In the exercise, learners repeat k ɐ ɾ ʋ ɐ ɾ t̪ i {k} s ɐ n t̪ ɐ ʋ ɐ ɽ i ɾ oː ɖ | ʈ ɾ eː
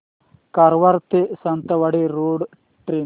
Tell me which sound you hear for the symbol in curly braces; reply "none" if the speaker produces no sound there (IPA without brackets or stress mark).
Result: none